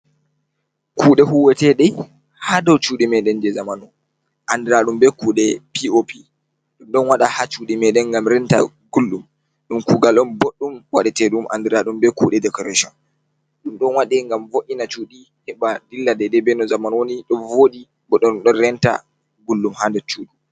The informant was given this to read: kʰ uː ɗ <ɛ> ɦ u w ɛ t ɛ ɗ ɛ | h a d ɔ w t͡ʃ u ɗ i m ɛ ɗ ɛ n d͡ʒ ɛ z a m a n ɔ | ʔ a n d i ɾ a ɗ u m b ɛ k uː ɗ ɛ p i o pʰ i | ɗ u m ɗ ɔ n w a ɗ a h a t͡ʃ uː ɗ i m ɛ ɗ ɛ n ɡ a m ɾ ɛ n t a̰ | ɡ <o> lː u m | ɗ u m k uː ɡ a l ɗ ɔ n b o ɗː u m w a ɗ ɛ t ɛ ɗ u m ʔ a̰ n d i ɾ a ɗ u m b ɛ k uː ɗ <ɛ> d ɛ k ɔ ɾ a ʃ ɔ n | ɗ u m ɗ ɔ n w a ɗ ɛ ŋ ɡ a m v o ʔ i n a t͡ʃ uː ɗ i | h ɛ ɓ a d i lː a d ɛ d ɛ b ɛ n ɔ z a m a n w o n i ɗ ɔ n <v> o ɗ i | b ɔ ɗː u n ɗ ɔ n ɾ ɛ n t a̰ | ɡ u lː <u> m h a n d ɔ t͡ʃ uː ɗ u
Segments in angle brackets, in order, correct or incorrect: correct, incorrect: u, correct, correct, correct

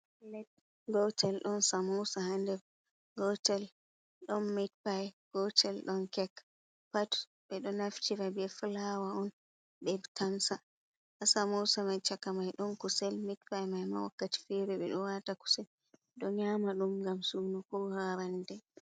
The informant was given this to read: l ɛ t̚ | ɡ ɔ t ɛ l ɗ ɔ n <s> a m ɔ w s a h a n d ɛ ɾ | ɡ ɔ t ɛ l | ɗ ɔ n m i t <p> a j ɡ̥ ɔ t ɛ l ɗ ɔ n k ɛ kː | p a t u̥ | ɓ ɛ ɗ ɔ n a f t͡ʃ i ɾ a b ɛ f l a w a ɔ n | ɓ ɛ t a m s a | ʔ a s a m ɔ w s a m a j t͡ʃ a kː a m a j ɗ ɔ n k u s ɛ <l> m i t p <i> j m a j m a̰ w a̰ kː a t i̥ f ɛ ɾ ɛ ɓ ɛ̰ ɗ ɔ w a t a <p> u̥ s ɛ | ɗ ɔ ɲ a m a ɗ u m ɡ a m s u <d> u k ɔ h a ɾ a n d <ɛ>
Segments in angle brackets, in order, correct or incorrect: correct, correct, correct, incorrect: a, incorrect: k, incorrect: n, correct

